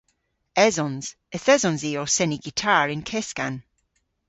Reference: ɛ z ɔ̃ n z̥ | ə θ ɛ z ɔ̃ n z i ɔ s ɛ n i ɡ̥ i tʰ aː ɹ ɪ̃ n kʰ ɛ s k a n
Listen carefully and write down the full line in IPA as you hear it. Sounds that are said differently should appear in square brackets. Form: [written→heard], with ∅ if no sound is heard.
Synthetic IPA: ɛ z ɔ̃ n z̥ | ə θ ɛ z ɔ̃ n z i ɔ s ɛ n i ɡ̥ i tʰ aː ɹ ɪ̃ n kʰ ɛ s k a n